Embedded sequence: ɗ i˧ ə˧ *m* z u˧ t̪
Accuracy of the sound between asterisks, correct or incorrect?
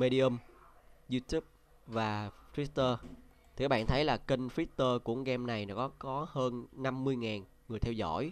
correct